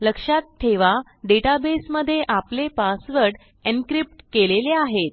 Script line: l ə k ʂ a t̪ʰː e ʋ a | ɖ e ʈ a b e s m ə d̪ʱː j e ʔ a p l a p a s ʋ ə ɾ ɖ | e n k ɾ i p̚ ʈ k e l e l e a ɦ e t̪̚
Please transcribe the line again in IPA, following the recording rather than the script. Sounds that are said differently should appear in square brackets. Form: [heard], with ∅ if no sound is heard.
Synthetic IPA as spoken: l ə k ʂ a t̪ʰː e ʋ a | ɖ e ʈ a b e s m ə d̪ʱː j e ʔ a p l [e] p a s ʋ ə ɾ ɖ | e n k ɾ i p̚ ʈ k e l e l e a ɦ e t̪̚